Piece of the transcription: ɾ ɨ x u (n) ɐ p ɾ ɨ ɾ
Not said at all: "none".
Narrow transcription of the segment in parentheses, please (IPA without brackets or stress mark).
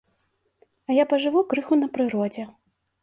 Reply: n